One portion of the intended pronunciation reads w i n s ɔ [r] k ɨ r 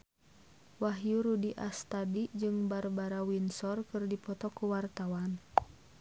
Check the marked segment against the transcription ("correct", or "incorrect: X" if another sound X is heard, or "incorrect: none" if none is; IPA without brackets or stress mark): correct